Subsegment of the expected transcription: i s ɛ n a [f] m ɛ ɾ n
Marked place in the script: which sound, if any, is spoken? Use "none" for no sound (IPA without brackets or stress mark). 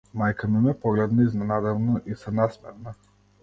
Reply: s